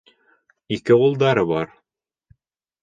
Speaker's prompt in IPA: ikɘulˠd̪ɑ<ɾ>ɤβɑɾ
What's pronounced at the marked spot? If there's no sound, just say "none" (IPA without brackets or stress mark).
ɾ